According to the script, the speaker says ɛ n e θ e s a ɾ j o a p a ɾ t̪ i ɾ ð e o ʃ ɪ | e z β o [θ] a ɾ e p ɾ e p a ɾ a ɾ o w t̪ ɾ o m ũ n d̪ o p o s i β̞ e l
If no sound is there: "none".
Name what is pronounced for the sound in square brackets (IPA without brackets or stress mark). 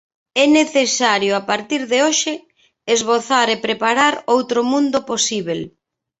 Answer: θ